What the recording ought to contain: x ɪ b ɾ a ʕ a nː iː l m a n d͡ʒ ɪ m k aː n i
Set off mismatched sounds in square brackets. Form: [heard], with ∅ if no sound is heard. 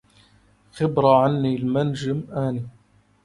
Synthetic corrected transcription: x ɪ b ɾ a ʕ a nː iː l m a n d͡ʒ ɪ m [ʔ] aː n i